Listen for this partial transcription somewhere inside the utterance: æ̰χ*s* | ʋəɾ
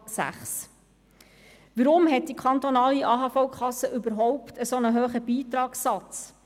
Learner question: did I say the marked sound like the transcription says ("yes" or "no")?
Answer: yes